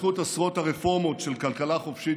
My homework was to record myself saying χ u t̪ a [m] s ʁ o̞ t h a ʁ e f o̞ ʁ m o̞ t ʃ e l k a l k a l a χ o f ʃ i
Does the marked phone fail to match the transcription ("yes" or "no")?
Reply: yes